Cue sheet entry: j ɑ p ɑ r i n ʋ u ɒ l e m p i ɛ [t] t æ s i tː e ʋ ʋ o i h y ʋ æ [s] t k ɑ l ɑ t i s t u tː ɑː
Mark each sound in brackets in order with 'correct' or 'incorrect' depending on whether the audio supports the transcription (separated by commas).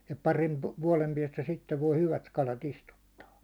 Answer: incorrect, incorrect